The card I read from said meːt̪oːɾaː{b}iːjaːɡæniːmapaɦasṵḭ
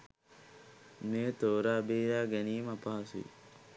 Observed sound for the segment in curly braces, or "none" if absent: b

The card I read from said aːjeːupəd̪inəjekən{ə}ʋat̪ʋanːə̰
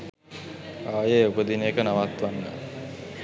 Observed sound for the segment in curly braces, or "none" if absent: a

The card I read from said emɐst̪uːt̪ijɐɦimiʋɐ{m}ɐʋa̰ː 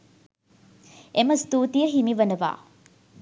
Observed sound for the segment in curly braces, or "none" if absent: n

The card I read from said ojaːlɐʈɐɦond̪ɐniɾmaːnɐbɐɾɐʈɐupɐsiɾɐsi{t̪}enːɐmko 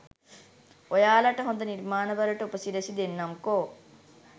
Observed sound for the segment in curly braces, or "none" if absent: d̪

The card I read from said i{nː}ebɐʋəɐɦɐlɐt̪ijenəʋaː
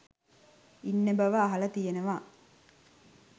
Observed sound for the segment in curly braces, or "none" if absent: nː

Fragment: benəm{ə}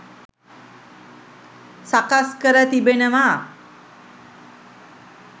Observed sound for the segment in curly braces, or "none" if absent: a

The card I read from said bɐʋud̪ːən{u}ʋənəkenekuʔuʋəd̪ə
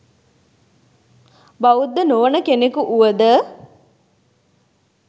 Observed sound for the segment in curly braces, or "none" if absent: o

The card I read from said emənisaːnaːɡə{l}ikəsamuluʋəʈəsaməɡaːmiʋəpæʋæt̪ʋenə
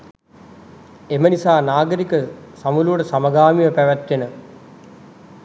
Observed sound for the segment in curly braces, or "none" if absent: ɾ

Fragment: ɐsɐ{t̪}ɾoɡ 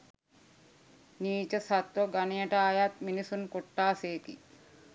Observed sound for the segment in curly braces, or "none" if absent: t̪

